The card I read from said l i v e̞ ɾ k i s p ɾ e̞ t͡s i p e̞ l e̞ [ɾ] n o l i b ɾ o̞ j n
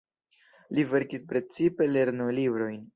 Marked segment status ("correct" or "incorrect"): correct